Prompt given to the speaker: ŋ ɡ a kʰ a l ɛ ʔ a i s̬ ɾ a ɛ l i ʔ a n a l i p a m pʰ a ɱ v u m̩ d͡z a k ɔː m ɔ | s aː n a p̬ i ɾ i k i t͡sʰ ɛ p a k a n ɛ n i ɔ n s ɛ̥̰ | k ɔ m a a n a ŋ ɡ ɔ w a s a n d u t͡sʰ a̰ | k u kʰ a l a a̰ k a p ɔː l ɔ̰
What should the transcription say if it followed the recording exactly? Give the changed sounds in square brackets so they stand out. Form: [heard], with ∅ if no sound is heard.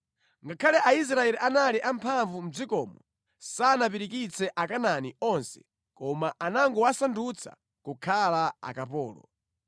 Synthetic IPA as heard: ŋ ɡ a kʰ a l ɛ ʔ a i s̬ ɾ a ɛ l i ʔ a n a l i [ʔ] a m pʰ a ɱ v u m̩ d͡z [i] k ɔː m ɔ | s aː n a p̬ i ɾ i k i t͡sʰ ɛ [ʔ] a k a n [a] n i ɔ n s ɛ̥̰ | k ɔ m a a n a ŋ ɡ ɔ w a s a n d u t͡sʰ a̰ | k u kʰ a l a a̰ k a p ɔː l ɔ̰

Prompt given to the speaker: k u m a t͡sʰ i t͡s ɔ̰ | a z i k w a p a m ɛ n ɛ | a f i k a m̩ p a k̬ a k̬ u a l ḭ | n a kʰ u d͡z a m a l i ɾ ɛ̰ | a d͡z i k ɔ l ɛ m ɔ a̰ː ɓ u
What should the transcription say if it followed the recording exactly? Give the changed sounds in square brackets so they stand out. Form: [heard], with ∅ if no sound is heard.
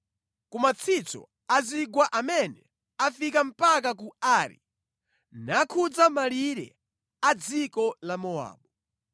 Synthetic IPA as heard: k u m a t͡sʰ i t͡s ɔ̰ | a z i [ɡ] w a [ʔ] a m ɛ n ɛ | a f i k a m̩ p a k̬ a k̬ u a [ɾ] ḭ | n a kʰ u d͡z a m a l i ɾ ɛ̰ | a d͡z i k ɔ l [a] m ɔ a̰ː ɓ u

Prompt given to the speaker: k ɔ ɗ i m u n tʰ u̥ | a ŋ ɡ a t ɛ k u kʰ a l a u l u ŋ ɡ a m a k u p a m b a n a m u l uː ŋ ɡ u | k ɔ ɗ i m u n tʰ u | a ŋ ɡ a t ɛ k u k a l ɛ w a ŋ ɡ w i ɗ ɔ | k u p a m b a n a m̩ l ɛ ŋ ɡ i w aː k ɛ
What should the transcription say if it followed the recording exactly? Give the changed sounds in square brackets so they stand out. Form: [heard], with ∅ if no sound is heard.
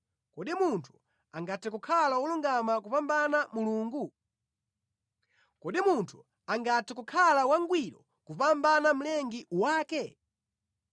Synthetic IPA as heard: k ɔ ɗ i m u n tʰ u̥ | a ŋ ɡ a t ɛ k u kʰ a l a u l u ŋ ɡ a m a k u p a m b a n a m u l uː ŋ ɡ u | k ɔ ɗ i m u n tʰ u | a ŋ ɡ a t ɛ k u [kʰ] a l [a] w a ŋ ɡ w i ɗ ɔ | k u p a m b a n a m̩ l ɛ ŋ ɡ i w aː k ɛ

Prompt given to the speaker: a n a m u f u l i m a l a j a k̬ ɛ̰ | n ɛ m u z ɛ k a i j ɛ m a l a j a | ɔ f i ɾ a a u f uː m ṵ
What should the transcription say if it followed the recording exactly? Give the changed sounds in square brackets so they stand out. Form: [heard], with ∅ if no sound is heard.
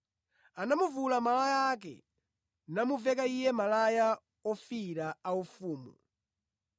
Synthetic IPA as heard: a n a m u [v] u l [a] m a l a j a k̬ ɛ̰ | n [a] m u [v] ɛ k a i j ɛ m a l a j a | ɔ f i ɾ a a u f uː m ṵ

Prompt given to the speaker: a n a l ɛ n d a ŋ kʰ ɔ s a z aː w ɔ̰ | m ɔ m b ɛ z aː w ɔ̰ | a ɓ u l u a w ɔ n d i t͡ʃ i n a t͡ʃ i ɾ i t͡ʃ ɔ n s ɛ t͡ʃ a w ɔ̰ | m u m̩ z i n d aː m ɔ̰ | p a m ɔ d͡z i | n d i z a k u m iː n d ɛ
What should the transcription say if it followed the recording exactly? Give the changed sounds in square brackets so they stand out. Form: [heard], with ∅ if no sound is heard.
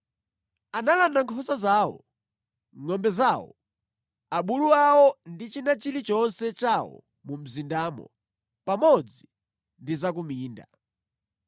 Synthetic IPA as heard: a n a l [a] n d a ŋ kʰ ɔ s a z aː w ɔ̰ | [ŋ] ɔ m b ɛ z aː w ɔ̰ | a ɓ u l u a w ɔ n d i t͡ʃ i n a t͡ʃ i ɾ i t͡ʃ ɔ n s ɛ t͡ʃ a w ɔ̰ | m u m̩ z i n d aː m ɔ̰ | p a m ɔ d͡z i | n d i z a k u m iː n d [a]

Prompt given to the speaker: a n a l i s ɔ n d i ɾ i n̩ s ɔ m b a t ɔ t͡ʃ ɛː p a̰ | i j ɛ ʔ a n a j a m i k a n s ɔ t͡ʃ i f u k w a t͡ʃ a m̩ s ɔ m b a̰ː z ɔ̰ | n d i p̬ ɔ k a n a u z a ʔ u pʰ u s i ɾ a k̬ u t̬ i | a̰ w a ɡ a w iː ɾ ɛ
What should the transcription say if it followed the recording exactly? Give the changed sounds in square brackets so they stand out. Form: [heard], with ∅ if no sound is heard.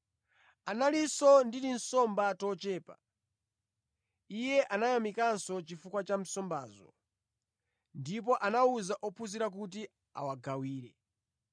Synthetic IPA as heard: a n a l i s ɔ n d i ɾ i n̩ s ɔ m b a t ɔ t͡ʃ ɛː p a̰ | i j ɛ ʔ a n a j a m i k a n s ɔ t͡ʃ i f u k w a t͡ʃ a m̩ s ɔ m b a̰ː z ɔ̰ | n d i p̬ ɔ [ʔ] a n a u z a ʔ [ɔ] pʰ u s i ɾ a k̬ u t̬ i | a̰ w a ɡ a w iː ɾ ɛ

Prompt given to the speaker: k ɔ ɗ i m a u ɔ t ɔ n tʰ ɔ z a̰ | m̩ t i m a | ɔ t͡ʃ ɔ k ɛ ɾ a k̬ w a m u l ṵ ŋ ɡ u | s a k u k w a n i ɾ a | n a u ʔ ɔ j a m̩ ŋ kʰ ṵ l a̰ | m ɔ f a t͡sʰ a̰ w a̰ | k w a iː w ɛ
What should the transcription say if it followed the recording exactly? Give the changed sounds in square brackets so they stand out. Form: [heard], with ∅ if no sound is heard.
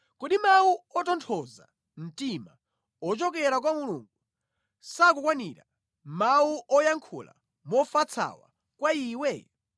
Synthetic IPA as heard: k ɔ ɗ i m a u ɔ t ɔ n tʰ ɔ z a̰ | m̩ t i m a | ɔ t͡ʃ ɔ k ɛ ɾ a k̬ w a m u l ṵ ŋ ɡ u | s a k u k w a n i ɾ a | [m] a u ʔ ɔ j a [∅] ŋ kʰ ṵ l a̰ | m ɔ f a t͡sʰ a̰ w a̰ | k w a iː w ɛ

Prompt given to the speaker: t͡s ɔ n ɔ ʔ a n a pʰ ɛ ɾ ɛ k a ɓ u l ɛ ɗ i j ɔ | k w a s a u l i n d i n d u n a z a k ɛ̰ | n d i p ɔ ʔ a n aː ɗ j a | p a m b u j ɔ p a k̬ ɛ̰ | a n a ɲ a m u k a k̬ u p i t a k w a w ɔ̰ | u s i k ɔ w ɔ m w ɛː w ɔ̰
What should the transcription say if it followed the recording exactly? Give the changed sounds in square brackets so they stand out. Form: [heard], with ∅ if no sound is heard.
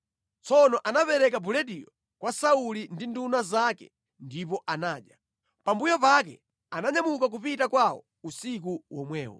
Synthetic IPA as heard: t͡s ɔ n ɔ ʔ a n a [p] ɛ ɾ ɛ k a [b] u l ɛ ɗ i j ɔ | k w a s a u l i n d i n d u n a z a k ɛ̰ | n d i p ɔ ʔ a n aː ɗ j a | p a m b u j ɔ p a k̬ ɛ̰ | a n a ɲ a m u k a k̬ u p i t a k w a w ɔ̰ | u s i k [u] w ɔ m w ɛː w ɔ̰

